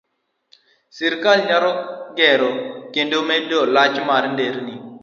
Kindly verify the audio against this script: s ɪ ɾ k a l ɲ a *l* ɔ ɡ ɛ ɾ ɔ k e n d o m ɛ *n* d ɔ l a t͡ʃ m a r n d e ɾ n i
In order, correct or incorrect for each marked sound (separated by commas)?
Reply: incorrect, incorrect